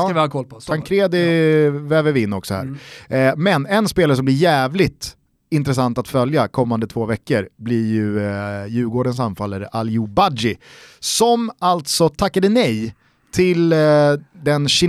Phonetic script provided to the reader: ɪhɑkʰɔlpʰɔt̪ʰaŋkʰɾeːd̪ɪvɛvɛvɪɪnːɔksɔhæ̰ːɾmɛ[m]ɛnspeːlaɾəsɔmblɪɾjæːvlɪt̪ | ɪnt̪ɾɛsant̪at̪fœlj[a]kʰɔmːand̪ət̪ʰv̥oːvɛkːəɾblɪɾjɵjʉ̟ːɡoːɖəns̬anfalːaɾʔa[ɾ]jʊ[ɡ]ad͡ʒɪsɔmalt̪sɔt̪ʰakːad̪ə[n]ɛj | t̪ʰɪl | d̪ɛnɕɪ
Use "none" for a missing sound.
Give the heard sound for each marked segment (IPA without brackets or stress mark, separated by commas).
n, a, l, b, n